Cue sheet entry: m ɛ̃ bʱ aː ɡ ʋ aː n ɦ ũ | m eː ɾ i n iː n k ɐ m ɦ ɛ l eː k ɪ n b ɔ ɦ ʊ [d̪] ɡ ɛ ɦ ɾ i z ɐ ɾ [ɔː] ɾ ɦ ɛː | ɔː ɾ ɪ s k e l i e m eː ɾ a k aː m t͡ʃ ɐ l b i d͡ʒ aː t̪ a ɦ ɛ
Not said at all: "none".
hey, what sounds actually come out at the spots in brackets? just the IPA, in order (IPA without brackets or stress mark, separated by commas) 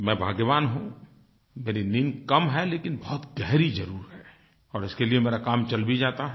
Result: t̪, uː